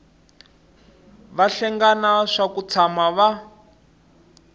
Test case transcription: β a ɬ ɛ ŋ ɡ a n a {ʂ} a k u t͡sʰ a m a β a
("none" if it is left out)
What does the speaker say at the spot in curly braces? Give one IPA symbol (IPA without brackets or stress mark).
ʂ